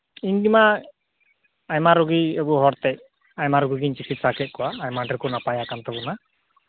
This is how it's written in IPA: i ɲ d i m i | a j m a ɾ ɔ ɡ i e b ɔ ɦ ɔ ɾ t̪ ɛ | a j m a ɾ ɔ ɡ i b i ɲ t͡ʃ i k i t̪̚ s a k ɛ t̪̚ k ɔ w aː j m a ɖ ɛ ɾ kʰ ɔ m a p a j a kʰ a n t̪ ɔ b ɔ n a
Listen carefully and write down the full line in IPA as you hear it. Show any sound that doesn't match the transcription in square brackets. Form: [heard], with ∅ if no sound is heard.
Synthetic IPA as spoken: i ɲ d i m [a] | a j m a ɾ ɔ ɡ i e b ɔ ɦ ɔ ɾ t̪ ɛ | a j m a ɾ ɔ ɡ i [ɡ] i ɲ t͡ʃ i k i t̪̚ s a k ɛ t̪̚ k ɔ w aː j m a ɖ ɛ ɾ [k] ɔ [n] a p a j a [k] a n t̪ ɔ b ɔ n a